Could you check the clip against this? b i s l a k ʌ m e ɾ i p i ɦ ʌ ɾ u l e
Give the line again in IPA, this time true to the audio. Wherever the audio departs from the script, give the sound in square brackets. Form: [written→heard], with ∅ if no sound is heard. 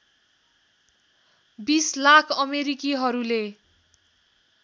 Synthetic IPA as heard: b i s l a [k→kʰ] ʌ m e ɾ i [p→k] i ɦ ʌ ɾ u l e